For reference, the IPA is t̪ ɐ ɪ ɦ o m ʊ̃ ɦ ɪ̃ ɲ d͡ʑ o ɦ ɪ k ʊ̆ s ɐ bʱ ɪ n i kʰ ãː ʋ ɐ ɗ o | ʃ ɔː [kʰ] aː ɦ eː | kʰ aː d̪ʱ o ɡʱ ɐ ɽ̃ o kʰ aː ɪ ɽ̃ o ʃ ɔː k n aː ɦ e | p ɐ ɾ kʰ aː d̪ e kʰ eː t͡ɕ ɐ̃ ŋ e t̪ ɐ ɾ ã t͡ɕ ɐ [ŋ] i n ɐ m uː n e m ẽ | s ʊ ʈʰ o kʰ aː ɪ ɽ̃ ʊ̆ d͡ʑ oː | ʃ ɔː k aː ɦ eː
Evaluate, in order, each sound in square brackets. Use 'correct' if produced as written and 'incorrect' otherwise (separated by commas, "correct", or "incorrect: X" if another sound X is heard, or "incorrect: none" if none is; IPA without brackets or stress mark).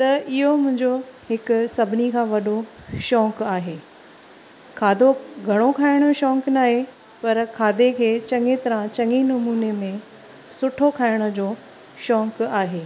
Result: incorrect: k, correct